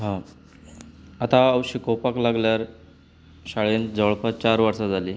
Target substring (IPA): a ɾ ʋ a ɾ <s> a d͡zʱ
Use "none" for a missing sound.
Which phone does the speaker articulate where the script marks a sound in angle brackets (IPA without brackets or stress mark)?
s